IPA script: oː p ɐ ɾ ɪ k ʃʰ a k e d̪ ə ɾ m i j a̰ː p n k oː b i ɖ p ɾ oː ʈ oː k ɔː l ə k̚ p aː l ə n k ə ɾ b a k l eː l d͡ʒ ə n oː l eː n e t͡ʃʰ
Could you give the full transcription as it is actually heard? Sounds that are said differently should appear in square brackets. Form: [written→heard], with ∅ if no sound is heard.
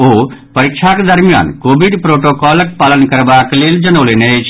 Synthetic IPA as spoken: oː p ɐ ɾ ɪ k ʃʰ a k e d̪ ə ɾ m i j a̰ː [p→∅] n k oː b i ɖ p ɾ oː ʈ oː k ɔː l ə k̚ p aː l ə n k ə ɾ b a k l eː l d͡ʒ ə n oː l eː n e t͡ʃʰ